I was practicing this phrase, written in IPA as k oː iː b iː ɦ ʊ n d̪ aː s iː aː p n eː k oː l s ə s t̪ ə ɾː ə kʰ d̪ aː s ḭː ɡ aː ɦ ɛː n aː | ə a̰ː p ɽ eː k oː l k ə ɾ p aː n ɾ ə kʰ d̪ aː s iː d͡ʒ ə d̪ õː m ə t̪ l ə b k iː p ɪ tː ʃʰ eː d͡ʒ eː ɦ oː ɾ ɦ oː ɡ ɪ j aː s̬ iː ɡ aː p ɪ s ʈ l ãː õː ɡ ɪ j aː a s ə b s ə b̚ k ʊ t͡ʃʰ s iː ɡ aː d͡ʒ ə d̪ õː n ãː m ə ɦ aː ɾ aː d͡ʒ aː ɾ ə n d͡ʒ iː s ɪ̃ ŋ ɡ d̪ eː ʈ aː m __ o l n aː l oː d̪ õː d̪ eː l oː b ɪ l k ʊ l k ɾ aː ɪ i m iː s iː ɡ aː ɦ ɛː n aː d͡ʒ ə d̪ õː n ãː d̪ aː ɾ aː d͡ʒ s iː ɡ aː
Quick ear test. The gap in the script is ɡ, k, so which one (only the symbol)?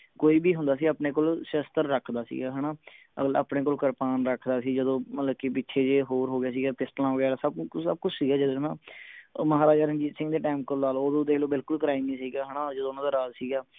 k